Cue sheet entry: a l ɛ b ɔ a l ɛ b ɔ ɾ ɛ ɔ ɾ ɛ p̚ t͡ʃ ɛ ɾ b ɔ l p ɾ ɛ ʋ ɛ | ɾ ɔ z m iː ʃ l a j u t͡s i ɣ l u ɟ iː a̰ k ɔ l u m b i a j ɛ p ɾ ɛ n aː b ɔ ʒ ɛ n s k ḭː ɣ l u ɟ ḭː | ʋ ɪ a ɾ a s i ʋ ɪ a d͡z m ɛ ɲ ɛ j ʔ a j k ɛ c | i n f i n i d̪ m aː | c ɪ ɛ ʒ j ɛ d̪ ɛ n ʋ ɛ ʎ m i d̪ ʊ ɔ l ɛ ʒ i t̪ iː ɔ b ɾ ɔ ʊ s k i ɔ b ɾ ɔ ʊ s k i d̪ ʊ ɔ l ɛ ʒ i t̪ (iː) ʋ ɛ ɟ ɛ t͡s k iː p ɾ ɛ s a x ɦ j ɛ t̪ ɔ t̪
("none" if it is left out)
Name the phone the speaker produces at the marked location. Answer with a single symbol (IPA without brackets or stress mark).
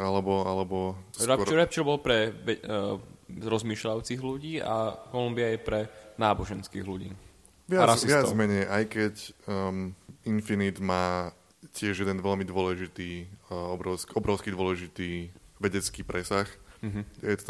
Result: iː